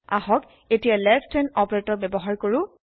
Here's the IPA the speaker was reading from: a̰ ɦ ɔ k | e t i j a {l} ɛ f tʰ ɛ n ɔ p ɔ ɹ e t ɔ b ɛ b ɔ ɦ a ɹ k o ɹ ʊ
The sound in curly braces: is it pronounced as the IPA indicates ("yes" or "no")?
yes